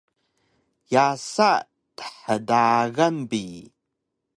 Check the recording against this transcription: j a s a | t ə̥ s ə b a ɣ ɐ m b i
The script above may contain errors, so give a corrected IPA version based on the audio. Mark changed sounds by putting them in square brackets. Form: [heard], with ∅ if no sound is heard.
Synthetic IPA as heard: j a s a | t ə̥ [ħ] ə [d] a ɣ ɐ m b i